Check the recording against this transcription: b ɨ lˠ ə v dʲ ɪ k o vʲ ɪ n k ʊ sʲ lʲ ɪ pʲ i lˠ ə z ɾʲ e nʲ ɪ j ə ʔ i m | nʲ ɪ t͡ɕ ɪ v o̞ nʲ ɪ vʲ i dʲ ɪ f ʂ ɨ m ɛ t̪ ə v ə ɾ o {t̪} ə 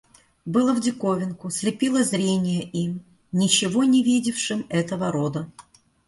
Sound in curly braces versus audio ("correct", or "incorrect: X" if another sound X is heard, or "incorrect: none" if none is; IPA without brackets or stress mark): incorrect: d̪